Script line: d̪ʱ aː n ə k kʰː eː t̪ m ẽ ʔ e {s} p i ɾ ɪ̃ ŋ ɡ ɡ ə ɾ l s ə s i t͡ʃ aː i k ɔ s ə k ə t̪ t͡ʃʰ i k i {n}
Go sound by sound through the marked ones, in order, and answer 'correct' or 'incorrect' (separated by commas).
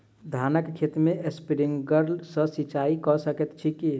correct, incorrect